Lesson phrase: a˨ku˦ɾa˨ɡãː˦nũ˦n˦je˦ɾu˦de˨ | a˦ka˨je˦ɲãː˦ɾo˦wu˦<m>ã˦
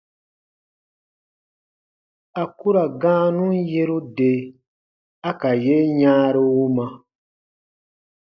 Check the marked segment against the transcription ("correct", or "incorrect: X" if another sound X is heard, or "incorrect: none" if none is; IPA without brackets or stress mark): correct